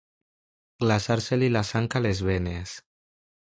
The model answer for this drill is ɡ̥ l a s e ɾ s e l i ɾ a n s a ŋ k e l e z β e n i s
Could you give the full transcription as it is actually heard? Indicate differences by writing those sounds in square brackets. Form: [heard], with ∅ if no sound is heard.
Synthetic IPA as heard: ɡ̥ l a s [a] ɾ s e l i [l] a [∅] s a ŋ k [a] l e z β e n [e] s

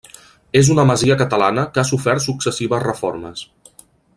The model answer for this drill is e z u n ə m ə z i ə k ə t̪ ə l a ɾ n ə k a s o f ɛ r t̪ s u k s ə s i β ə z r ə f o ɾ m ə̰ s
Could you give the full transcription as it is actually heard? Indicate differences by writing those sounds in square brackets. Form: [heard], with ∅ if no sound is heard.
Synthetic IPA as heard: e z u n ə m ə z i ə k ə t̪ ə l a [∅] n ə k a s [u] f ɛ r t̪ s u k s ə s i β ə z r ə f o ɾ m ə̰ s

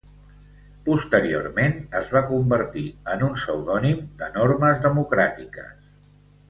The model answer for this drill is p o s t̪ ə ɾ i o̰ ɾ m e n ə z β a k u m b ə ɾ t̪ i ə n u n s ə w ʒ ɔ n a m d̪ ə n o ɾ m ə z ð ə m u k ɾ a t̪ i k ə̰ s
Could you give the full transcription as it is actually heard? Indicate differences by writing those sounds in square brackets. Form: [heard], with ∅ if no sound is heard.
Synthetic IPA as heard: p [u] s t̪ ə ɾ i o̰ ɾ m e n ə z β a k u m b ə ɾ t̪ i ə n u n s ə w [ð] ɔ n [i] m d̪ ə n o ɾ m ə z ð ə m u k ɾ a t̪ i k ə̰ s

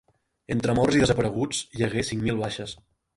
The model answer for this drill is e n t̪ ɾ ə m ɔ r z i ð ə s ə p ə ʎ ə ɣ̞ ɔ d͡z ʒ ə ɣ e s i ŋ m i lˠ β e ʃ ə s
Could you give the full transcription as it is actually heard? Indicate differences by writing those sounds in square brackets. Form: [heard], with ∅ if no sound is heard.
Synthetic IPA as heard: e n t̪ ɾ ə m ɔ r z i ð ə [z] ə p ə [ɾ] ə ɣ̞ [u] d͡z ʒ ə ɣ e s i ŋ m i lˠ β [a] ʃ ə s

